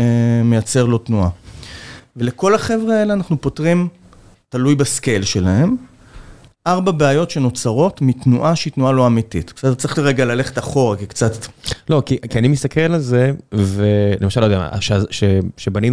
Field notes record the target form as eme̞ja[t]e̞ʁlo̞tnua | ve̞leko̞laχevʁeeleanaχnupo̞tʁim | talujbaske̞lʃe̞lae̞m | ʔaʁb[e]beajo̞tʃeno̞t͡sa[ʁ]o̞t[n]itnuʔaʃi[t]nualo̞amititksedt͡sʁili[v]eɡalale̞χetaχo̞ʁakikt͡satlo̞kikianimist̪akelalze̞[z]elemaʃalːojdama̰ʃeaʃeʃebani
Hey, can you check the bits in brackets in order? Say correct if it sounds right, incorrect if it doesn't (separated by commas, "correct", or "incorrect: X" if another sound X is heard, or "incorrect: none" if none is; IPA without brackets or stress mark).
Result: incorrect: t͡s, incorrect: a, correct, incorrect: m, correct, incorrect: ʁ, incorrect: v